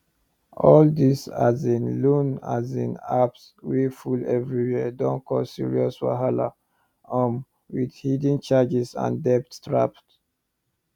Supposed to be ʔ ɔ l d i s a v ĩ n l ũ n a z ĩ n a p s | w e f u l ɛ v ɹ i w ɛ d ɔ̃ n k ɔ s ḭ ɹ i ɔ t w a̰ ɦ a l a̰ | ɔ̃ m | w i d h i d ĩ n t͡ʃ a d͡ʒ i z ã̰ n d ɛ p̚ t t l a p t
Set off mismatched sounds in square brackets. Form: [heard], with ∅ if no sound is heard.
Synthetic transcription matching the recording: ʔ ɔ l d i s a [z] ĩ n l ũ n a z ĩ n a p s | w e f u l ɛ v ɹ i w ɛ d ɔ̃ n k ɔ s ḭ ɹ i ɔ [s] w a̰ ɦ a l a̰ | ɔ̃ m | w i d h i d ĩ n t͡ʃ a d͡ʒ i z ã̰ n d ɛ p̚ t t [ɹ] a p t